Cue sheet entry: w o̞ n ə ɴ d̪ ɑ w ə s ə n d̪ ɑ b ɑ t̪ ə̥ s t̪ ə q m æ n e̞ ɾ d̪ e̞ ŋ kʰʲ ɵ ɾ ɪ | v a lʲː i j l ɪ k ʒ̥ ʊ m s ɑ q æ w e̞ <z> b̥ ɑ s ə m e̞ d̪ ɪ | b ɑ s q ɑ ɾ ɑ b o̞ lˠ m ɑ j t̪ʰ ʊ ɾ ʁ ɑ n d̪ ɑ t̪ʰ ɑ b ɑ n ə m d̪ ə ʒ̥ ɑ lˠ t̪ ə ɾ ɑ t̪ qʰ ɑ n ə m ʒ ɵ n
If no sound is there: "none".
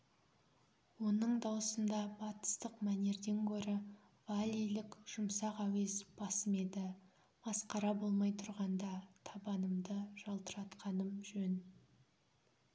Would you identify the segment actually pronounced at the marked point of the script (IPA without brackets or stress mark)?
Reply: z